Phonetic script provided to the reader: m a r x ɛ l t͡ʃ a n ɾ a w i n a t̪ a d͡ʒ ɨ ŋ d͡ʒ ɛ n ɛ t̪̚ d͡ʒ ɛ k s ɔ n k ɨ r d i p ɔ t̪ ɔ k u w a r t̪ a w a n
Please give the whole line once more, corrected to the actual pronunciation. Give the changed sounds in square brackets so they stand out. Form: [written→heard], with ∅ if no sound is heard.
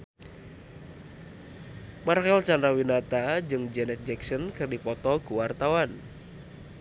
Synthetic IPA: m a r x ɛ l t͡ʃ a n ɾ a w i n a t̪ a d͡ʒ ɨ ŋ d͡ʒ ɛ n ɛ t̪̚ d͡ʒ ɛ k s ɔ n k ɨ r d i p ɔ t̪ ɔ k u w a r t̪ a w a n